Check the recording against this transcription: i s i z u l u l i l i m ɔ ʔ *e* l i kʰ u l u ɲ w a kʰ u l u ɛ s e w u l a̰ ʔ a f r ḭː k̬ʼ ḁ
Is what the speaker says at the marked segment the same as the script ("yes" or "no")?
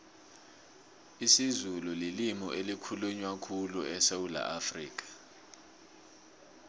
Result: yes